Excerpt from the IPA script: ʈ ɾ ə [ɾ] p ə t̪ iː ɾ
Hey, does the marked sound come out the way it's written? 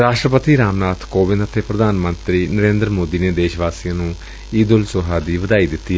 no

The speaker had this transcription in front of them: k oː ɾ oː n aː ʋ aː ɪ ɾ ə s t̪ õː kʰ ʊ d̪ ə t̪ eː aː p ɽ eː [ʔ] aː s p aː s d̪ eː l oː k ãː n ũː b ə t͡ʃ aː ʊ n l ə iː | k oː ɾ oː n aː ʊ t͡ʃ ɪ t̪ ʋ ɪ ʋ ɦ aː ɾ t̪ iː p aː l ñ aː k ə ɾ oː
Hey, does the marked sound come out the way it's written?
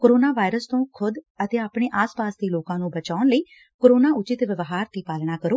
yes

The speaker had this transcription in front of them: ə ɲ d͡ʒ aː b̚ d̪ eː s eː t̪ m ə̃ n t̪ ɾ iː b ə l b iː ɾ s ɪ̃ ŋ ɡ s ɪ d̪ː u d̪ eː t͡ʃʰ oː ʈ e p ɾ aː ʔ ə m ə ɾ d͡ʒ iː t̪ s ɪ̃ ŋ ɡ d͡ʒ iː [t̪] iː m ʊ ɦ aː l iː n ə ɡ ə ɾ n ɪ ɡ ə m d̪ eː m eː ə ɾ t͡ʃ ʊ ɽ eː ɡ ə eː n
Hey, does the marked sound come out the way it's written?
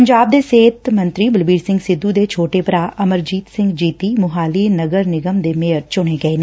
yes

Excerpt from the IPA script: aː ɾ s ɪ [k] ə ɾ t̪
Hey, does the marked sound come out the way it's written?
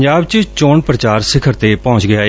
no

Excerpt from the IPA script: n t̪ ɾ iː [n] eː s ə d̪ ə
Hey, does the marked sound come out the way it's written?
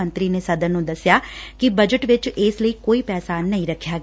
yes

